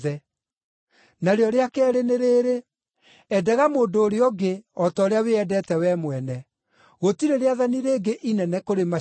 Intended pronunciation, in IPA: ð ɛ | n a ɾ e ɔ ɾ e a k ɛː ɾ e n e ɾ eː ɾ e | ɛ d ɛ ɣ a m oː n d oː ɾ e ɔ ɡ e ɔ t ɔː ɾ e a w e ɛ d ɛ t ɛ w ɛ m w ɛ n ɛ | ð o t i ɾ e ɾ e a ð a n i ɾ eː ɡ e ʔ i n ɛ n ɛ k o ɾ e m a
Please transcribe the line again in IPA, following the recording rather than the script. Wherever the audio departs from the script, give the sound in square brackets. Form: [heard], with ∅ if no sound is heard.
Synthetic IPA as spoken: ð ɛ | n a ɾ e ɔ ɾ e a k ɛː ɾ e n e ɾ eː ɾ e | ɛ d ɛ ɣ a m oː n d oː ɾ e ɔ ɡ e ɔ t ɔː ɾ e a w e ɛ d ɛ t ɛ w ɛ m w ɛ n ɛ | [ɣ] o t i ɾ e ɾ e a ð a n i ɾ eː ɡ e ʔ i n ɛ n ɛ k o ɾ e m a